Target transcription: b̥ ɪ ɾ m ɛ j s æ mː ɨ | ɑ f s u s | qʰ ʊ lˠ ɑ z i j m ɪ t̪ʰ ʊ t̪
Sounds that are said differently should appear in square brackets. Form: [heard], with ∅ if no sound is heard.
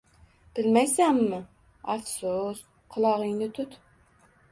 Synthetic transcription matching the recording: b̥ ɪ [l] m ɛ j s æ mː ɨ | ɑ f s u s | qʰ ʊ lˠ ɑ [ʁ] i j [n] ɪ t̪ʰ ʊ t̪